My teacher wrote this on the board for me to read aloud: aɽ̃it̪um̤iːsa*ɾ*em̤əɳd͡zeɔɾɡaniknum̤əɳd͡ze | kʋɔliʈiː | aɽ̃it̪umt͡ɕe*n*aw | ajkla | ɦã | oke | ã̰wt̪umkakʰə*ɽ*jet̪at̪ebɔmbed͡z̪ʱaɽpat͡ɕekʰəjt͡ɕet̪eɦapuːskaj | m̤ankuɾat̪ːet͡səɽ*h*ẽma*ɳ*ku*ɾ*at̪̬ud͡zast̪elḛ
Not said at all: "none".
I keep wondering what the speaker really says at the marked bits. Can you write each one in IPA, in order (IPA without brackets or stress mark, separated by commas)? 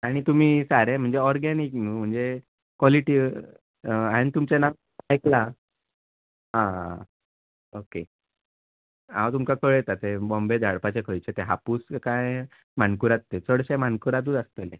ɾ, n, ɭ, ɕ, n, ɾ